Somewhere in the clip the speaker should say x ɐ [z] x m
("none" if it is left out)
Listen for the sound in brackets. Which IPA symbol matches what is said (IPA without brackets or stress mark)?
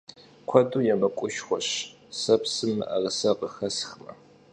s